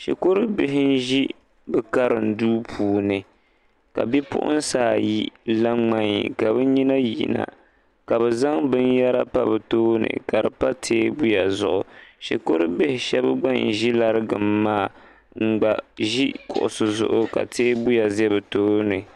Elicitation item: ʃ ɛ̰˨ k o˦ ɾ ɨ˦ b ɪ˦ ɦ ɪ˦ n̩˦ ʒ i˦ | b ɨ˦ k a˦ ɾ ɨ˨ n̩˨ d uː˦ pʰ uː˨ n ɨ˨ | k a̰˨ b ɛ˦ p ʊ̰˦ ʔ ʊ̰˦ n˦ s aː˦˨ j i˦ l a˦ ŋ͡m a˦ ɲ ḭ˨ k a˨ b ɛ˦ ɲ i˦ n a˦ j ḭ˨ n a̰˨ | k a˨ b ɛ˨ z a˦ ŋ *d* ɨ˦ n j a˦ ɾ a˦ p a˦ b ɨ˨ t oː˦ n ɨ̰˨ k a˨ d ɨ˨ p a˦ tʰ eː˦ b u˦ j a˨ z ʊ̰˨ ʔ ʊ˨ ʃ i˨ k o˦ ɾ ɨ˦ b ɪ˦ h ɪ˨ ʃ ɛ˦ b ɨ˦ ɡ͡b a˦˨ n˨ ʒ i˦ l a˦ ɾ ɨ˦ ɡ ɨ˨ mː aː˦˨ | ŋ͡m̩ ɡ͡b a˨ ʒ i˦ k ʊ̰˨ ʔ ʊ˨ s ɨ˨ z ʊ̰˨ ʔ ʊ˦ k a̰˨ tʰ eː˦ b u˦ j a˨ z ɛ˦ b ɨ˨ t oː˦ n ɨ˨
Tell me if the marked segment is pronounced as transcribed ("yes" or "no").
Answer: no